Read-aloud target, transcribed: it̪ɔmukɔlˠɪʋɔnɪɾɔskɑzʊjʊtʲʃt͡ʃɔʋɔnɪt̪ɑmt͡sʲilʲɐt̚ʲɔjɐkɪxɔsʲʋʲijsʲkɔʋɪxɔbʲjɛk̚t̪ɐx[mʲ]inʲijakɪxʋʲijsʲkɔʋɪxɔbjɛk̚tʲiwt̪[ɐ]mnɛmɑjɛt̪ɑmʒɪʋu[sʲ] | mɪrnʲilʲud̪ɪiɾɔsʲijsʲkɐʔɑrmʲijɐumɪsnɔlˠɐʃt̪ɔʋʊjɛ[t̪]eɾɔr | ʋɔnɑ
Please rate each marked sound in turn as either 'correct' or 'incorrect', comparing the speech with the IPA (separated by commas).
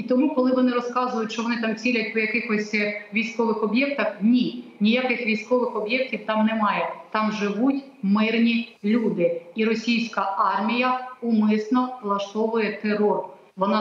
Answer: incorrect, incorrect, incorrect, correct